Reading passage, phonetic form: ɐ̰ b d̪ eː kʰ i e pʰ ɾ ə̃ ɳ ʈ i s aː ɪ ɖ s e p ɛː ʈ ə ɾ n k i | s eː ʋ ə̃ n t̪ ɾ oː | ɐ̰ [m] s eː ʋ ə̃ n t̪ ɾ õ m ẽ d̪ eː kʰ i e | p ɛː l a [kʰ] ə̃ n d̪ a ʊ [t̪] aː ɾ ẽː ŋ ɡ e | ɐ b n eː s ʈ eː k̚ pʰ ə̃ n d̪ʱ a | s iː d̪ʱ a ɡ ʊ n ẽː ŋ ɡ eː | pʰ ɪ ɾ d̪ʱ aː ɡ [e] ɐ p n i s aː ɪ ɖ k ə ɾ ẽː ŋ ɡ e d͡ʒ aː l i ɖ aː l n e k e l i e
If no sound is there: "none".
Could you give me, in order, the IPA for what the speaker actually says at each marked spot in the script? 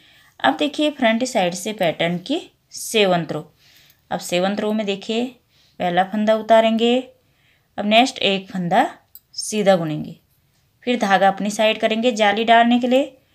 b, pʰ, t̪, a

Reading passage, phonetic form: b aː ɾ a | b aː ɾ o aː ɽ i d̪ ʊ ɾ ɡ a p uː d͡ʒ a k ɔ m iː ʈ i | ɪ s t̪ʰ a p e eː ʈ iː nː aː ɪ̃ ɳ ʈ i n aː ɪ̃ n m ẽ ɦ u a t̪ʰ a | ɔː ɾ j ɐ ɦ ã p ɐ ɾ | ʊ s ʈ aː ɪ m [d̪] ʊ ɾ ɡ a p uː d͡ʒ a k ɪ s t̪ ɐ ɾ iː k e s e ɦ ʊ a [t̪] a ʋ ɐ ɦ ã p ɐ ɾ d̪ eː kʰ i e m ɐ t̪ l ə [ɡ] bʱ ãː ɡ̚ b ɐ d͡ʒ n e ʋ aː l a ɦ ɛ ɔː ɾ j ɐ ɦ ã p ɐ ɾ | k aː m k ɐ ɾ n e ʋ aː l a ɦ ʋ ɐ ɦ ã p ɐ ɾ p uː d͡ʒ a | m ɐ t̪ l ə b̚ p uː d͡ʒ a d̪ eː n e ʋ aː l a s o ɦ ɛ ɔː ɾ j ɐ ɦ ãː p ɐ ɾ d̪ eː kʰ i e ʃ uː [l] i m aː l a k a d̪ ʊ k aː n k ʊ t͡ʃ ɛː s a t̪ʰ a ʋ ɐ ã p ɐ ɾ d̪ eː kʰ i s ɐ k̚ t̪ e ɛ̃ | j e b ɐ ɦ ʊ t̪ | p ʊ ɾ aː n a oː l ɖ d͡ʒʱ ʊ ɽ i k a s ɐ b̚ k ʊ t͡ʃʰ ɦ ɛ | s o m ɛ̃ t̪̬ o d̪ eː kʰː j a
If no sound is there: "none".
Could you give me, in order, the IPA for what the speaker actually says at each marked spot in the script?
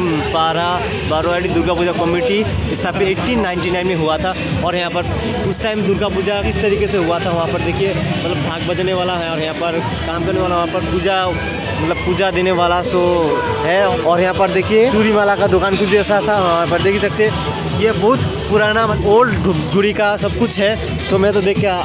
d̪, t̪ʰ, b, ɾ

